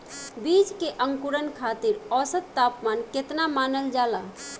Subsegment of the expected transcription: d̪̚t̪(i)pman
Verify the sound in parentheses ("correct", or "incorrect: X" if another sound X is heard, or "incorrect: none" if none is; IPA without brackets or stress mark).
incorrect: a